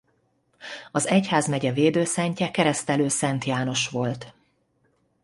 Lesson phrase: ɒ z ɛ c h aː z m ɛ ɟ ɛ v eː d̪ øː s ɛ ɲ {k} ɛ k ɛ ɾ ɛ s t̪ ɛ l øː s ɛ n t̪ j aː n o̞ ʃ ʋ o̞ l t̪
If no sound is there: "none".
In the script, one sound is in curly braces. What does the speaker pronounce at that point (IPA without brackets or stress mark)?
c